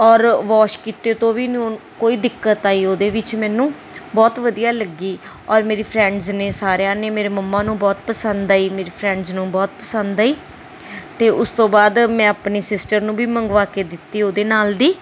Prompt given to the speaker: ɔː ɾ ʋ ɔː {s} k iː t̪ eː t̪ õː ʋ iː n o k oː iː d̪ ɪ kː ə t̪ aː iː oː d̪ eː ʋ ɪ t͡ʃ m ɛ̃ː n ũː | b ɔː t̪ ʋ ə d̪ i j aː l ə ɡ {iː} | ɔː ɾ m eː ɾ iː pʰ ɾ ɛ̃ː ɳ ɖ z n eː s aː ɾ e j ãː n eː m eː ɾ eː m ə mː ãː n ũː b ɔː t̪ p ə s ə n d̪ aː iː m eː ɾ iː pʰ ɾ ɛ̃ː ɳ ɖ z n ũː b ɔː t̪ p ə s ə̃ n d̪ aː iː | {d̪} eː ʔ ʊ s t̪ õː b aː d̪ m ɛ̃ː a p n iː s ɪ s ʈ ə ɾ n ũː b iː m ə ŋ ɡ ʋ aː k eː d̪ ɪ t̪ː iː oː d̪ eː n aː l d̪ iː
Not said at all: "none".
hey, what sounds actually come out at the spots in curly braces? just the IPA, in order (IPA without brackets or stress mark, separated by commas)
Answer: ʃ, iː, t̪